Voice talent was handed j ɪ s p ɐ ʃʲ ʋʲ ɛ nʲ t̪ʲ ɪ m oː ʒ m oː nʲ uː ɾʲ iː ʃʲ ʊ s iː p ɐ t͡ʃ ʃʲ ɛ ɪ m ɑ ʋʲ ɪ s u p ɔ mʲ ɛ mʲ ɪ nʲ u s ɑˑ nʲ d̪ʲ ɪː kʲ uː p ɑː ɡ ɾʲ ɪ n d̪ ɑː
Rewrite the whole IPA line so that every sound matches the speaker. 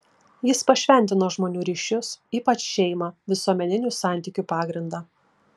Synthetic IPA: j ɪ s p ɐ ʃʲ ʋʲ ɛ nʲ t̪ʲ ɪ n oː ʒ m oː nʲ uː ɾʲ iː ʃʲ ʊ s iː p ɐ t͡ʃ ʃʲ ɛ ɪ m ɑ ʋʲ ɪ s u ɔ mʲ ɛ nʲ ɪ nʲ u s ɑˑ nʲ t̪ʲ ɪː kʲ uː p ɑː ɡ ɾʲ ɪ n d̪ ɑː